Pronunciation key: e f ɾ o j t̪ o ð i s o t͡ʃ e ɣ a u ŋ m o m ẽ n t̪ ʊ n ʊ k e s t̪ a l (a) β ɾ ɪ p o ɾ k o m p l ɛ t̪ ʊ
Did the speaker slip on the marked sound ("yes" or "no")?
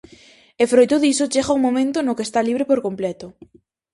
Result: yes